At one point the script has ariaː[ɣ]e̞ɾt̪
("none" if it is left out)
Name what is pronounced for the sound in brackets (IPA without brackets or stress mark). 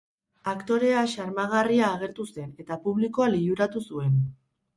ɣ